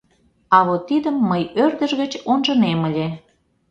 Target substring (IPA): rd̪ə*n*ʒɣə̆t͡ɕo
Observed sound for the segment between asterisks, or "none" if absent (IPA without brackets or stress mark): none